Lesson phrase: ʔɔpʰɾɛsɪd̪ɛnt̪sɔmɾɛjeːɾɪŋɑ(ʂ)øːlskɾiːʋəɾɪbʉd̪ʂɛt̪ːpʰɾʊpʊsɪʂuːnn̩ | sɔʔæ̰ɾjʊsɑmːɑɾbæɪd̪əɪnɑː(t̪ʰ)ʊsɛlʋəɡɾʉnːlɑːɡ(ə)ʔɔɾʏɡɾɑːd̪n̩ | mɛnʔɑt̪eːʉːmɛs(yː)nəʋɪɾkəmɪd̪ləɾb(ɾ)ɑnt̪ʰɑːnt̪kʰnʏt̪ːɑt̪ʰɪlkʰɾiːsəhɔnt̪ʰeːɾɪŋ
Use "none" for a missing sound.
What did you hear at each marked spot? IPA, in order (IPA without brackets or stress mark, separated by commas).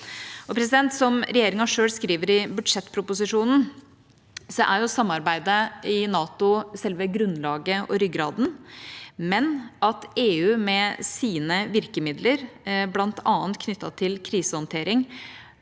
ʂ, t̪, ə, iː, l